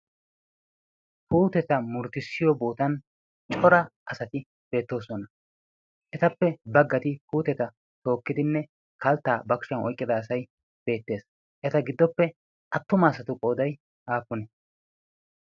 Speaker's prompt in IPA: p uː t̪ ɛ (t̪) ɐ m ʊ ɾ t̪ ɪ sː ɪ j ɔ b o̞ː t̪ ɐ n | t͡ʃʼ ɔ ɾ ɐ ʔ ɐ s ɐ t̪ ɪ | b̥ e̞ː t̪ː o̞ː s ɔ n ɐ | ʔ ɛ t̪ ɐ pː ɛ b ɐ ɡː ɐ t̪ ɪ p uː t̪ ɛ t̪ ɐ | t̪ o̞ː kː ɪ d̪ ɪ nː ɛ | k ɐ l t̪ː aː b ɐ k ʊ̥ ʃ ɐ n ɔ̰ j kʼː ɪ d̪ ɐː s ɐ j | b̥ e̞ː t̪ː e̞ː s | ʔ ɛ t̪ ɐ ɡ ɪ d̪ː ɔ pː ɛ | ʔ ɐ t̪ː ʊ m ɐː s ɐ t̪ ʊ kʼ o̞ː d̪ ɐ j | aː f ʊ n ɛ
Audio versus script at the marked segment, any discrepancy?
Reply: no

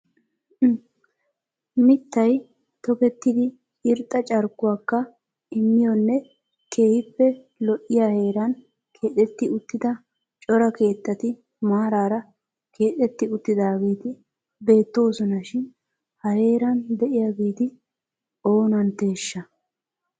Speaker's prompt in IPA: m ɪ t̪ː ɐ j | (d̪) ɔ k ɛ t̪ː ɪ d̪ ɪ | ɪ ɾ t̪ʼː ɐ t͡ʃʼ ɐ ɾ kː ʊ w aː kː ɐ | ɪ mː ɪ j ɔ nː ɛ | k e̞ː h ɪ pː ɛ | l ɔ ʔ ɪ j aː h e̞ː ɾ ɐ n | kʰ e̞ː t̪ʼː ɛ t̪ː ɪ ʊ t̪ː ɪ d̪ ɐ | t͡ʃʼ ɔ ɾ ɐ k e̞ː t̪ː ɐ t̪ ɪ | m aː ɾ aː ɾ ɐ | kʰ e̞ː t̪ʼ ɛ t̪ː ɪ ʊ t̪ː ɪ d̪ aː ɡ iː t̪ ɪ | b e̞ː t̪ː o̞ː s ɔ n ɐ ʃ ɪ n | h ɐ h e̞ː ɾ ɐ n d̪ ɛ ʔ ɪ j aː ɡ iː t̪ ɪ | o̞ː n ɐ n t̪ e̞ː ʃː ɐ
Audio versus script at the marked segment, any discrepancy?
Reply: yes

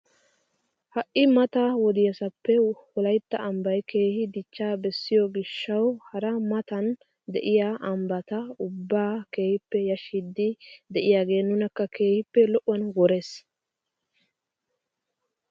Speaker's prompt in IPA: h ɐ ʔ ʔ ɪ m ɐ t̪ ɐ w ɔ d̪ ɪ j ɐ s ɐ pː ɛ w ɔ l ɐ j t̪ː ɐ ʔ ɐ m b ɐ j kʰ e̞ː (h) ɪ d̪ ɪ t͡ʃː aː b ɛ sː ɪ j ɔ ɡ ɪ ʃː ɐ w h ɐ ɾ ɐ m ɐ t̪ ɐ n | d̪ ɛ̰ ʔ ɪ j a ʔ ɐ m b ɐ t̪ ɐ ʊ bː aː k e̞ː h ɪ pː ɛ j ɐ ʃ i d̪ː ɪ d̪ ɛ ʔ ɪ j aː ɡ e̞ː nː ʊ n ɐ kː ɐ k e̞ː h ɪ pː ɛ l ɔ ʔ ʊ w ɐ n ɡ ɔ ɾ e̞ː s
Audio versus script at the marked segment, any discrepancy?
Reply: no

